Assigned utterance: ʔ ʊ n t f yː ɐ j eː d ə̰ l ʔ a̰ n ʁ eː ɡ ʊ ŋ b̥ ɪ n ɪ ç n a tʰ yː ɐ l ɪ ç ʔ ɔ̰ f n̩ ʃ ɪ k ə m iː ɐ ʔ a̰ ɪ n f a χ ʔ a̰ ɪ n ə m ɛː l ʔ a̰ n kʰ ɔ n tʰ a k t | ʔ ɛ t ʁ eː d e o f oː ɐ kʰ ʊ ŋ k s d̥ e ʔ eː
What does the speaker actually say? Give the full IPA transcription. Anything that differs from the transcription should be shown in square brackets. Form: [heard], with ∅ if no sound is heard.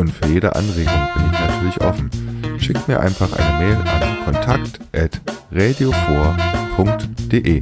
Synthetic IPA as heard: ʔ ʊ n t f yː ɐ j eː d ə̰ [∅] ʔ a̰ n ʁ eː ɡ ʊ ŋ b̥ ɪ n ɪ ç n a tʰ yː ɐ l ɪ ç ʔ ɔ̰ f n̩ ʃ ɪ k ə m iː ɐ ʔ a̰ ɪ n f a χ ʔ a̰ ɪ n ə m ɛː l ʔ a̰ n kʰ ɔ n tʰ a k t | ʔ ɛ t ʁ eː d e o f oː ɐ [pʰ] ʊ ŋ k [t] d̥ e ʔ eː